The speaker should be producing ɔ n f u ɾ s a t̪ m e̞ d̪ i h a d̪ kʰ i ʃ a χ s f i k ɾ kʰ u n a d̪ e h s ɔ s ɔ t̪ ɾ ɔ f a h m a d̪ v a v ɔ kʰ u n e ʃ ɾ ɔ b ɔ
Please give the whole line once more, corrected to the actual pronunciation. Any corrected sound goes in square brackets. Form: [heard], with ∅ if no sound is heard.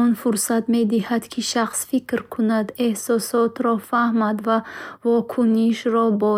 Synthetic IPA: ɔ n f u ɾ s a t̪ m e̞ d̪ i h a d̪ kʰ i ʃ a χ s f i k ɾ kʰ u n a d̪ e h s ɔ s ɔ t̪ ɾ ɔ f a h m a d̪ v a v ɔ kʰ u n [i] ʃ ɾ ɔ b ɔ